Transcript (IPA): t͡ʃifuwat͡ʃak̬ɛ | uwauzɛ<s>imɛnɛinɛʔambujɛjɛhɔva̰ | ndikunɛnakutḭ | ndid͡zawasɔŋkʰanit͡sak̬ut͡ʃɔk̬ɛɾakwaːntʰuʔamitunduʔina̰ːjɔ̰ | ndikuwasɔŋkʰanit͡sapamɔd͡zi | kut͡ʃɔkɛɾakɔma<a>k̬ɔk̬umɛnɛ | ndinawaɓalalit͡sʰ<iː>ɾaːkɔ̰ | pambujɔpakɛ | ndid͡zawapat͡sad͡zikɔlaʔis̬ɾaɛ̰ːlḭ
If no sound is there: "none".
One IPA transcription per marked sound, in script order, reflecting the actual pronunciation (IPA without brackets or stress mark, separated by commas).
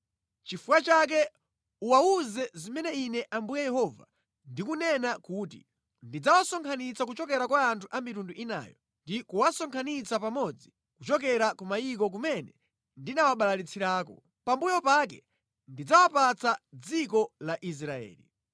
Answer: z, i, i